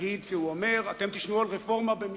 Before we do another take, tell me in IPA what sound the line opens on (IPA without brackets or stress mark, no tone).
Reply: i